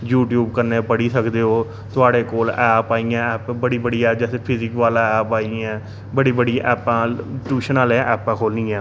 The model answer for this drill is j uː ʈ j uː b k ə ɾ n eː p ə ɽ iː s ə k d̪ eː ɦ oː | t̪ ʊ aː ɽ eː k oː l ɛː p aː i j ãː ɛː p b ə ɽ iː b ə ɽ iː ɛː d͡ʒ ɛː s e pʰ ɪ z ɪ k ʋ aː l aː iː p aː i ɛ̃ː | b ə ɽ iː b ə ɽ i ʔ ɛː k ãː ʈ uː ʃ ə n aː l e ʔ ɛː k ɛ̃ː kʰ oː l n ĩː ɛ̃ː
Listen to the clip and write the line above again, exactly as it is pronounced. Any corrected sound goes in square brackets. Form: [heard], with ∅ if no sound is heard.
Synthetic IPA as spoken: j uː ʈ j uː b k ə ɾ n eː p ə ɽ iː s ə k d̪ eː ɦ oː | t̪ ʊ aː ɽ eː k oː l ɛː p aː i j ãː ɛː p b ə ɽ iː b ə ɽ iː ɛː d͡ʒ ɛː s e pʰ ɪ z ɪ k ʋ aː l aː [ɛː] p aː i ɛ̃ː | b ə ɽ iː b ə ɽ i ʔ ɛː [p] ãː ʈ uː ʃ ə n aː l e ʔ ɛː [p] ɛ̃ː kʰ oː l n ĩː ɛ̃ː

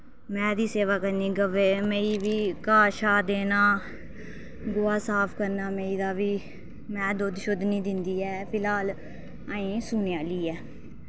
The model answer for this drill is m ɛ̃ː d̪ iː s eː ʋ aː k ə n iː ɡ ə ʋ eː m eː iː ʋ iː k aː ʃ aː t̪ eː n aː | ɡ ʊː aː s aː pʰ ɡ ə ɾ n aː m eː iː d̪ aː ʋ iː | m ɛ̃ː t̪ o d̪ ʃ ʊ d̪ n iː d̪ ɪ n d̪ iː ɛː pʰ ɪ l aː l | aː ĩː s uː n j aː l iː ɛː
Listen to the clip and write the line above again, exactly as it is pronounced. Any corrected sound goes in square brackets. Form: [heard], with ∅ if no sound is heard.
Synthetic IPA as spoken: m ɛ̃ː d̪ iː s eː ʋ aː k ə n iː ɡ ə ʋ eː m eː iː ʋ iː k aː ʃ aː [d̪] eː n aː | ɡ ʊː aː s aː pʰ [k] ə ɾ n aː m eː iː d̪ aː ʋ iː | m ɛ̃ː [d̪] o d̪ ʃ ʊ d̪ n iː d̪ ɪ n d̪ iː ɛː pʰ ɪ l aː l | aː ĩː s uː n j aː l iː ɛː

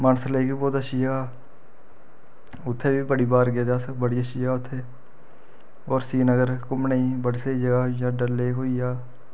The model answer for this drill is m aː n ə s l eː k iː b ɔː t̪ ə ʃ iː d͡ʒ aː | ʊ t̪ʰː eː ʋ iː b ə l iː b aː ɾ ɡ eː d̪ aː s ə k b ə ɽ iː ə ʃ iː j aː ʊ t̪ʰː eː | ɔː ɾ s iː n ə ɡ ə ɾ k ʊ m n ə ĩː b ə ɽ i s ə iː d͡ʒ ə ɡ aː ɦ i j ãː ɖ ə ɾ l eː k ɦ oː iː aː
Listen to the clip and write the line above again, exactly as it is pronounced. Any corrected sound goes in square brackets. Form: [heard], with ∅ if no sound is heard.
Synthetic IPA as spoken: m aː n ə s l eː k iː b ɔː t̪ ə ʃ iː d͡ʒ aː | ʊ t̪ʰː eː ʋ iː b ə [ɽ] iː b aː ɾ ɡ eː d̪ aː s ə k b ə ɽ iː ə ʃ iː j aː ʊ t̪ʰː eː | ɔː ɾ s iː n ə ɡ ə ɾ k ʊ m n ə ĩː b ə ɽ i s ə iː d͡ʒ ə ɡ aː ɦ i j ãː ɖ ə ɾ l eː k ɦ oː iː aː

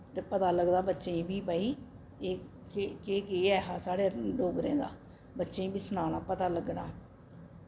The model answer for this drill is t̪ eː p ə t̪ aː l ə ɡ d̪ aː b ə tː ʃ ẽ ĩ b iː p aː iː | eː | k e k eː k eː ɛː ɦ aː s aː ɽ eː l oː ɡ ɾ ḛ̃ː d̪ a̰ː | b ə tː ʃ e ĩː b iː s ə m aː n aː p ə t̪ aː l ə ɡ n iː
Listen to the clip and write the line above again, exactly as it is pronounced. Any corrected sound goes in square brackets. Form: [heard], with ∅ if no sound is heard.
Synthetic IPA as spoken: t̪ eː p ə t̪ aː l ə ɡ d̪ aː b ə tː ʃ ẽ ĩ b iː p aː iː | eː | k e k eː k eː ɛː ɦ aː s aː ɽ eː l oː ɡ ɾ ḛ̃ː d̪ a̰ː | b ə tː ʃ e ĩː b iː s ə [n] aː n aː p ə t̪ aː l ə ɡ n [aː]

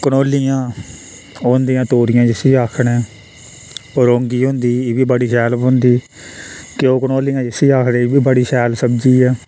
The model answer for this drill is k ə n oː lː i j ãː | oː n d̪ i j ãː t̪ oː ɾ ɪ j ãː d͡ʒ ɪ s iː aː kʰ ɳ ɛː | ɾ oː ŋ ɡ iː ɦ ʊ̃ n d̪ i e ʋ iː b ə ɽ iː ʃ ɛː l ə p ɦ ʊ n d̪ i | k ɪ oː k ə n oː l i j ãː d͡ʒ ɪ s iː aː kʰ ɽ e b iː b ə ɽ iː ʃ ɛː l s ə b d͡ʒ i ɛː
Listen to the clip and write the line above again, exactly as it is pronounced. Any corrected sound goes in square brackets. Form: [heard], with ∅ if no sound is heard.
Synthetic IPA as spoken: k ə n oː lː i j ãː | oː n d̪ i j ãː t̪ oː ɾ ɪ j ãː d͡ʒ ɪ s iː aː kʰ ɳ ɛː | ɾ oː ŋ ɡ iː ɦ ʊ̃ n d̪ [iː] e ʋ iː b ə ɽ iː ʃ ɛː l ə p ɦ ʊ n d̪ [iː] | k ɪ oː k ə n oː l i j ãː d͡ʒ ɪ s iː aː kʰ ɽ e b iː b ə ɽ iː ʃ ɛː l s ə b d͡ʒ [iː] ɛː

